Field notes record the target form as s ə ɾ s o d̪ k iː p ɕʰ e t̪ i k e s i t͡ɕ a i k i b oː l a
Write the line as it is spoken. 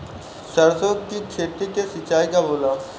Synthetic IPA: s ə ɾ s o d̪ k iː k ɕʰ e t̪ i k e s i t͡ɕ a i k a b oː l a

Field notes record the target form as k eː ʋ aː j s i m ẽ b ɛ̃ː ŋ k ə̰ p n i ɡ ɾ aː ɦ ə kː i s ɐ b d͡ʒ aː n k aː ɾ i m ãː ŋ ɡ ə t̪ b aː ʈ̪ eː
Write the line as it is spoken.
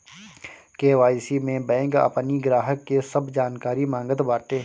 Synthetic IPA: k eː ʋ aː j s i m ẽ b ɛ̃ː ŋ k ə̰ p n i ɡ ɾ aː ɦ ə kː e s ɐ b d͡ʒ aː n k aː ɾ i m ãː ŋ ɡ ə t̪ b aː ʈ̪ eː

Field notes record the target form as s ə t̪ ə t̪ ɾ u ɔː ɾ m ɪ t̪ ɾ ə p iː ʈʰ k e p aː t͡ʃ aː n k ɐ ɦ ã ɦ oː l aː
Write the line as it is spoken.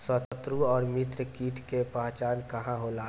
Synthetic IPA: s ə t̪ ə t̪ ɾ u ɔː ɾ m ɪ t̪ ɾ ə k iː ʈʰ k e p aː t͡ʃ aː n k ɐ ɦ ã ɦ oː l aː

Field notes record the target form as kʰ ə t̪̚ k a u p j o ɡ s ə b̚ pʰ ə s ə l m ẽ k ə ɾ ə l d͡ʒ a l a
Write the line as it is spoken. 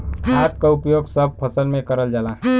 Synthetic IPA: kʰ a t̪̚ k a u p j o ɡ s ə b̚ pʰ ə s ə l m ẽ k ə ɾ ə l d͡ʒ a l a

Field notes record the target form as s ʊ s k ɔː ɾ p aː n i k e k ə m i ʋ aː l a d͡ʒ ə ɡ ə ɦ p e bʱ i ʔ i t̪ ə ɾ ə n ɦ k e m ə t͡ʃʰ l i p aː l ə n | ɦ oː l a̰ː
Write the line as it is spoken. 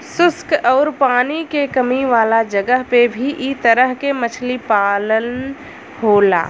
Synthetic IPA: s ʊ s k ɔː ɾ p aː n i k e k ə m i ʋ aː l a d͡ʒ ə ɡ ə ɦ p e bʱ i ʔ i t̪ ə ɾ ə ɦ k e m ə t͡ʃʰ l i p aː l ə n | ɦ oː l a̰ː

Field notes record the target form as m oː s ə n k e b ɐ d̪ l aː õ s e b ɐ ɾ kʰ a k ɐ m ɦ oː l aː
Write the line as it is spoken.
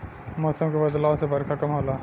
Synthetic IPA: m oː s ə m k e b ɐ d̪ l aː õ s e b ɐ ɾ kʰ a k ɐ m ɦ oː l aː

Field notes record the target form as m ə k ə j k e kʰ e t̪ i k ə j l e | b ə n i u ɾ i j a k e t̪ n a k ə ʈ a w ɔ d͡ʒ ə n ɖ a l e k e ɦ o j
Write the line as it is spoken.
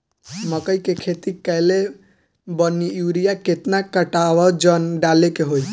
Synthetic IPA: m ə k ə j k e kʰ e t̪ i k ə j l e | b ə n i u ɾ i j a k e t̪ n a k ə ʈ a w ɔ d͡ʒ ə n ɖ a l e k e ɦ o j

